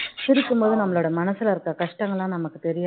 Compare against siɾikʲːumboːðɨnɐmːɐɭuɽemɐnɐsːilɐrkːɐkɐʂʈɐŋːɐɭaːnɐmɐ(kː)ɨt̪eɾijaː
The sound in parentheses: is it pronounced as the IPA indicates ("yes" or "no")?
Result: yes